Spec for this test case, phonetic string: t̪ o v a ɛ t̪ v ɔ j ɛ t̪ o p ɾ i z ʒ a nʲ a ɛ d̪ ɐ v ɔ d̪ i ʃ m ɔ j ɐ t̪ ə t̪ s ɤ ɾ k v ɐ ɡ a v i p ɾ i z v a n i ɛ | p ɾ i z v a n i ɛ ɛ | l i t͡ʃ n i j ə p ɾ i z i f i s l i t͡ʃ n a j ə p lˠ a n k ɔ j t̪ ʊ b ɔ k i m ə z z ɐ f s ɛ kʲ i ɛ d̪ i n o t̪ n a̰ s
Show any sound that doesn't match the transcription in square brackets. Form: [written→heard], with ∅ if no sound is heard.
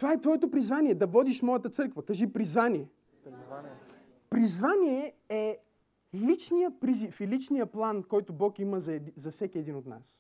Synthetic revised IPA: t̪ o v a ɛ t̪ v ɔ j ɛ t̪ o p ɾ i z [ʒ→v] a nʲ [a→i] ɛ d̪ ɐ v ɔ d̪ i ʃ m ɔ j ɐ t̪ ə t̪ s ɤ ɾ k v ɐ [ɡ→k] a [v→ʒ] i p ɾ i z v a n i ɛ | p ɾ i z v a n i ɛ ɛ | l i t͡ʃ n i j ə p ɾ i z i f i [s→∅] l i t͡ʃ n [a→i] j ə p lˠ a n k ɔ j t̪ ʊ b ɔ k i m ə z z ɐ f s ɛ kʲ i ɛ d̪ i n o t̪ n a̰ s